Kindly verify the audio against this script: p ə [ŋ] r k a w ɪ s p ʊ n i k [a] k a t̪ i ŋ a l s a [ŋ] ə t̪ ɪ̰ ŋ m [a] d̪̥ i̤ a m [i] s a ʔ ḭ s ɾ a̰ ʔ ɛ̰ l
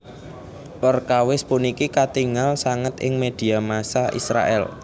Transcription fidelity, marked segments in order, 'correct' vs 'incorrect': incorrect, incorrect, correct, incorrect, incorrect

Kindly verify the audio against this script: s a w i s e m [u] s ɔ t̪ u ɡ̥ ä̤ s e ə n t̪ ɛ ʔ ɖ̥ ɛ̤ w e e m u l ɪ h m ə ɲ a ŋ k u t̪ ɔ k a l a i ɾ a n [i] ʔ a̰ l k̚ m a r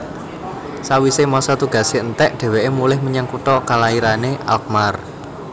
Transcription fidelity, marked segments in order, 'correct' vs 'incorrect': incorrect, incorrect

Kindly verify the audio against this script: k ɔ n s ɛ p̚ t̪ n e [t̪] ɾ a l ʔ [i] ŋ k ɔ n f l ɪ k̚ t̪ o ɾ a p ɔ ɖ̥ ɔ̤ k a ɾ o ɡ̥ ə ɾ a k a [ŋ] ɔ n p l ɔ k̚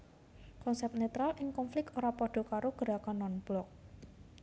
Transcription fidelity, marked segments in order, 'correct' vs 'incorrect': correct, incorrect, incorrect

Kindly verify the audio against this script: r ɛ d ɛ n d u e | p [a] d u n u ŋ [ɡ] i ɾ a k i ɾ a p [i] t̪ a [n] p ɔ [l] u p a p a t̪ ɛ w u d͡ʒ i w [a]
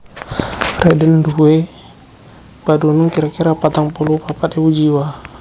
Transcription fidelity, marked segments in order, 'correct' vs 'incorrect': correct, incorrect, incorrect, incorrect, correct, correct

